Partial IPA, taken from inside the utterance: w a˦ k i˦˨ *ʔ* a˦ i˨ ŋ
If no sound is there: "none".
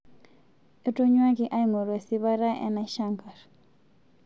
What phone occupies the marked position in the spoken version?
ʔ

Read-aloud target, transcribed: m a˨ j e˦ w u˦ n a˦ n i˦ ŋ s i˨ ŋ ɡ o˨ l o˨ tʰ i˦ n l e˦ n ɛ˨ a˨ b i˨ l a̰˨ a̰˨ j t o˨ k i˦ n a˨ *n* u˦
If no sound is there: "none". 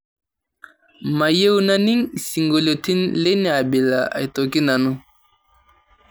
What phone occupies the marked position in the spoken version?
n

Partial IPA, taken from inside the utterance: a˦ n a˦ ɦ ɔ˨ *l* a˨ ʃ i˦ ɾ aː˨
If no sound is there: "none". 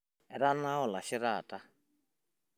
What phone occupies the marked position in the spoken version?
l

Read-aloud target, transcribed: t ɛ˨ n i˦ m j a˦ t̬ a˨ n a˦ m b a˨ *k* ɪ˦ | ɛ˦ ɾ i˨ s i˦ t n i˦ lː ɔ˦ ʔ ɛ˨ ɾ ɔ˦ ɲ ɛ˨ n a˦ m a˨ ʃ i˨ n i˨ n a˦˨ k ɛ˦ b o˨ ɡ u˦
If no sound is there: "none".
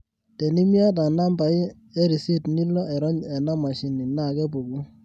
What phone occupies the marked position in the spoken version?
none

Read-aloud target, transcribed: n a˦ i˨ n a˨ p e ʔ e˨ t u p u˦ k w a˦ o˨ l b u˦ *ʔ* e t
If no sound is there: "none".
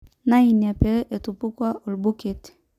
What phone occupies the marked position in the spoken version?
k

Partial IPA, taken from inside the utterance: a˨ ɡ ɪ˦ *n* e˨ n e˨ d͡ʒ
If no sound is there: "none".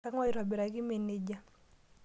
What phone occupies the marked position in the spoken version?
m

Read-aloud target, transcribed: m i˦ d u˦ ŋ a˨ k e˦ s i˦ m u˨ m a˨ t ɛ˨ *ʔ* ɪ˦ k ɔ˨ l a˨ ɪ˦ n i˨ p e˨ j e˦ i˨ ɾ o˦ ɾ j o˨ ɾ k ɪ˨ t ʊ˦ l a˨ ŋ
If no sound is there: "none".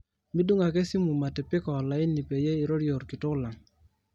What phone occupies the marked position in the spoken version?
p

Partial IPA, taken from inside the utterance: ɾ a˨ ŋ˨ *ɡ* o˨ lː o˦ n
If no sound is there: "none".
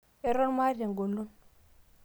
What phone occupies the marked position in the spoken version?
ɡ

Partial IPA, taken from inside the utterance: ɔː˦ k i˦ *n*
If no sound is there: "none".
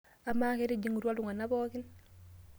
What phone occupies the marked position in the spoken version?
n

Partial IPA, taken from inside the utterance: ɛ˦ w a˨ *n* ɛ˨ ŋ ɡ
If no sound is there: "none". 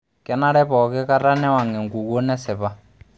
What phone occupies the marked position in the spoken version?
ŋ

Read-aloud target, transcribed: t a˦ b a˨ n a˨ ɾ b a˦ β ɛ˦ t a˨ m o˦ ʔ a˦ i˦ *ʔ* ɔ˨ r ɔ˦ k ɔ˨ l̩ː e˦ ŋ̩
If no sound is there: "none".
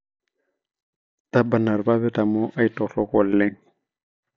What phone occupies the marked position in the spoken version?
t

